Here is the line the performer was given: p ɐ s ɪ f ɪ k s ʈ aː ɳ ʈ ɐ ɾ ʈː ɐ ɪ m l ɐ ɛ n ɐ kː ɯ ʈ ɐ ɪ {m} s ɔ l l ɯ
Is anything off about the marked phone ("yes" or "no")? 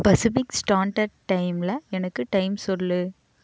no